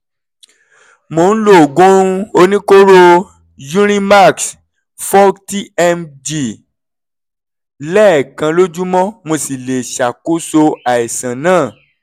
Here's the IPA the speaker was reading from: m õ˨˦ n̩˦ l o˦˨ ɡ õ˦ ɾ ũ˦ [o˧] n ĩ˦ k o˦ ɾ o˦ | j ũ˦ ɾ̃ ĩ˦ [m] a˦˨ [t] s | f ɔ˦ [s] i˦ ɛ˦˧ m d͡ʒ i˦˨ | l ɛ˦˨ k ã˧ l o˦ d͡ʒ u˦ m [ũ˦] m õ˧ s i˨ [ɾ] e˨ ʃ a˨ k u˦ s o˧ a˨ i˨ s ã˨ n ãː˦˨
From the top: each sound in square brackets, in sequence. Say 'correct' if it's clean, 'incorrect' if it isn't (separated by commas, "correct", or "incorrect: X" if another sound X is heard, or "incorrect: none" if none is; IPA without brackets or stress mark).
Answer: correct, correct, incorrect: k, incorrect: t, incorrect: ɔ̃˦, incorrect: l